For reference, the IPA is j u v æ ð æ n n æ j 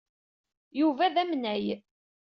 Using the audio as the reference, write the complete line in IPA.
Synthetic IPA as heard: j u v æ ð æ m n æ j